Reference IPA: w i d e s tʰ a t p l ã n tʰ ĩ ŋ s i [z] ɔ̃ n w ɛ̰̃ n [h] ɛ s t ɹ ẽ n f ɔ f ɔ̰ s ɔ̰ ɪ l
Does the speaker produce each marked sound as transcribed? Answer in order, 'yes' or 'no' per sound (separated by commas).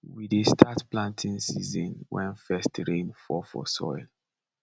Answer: yes, no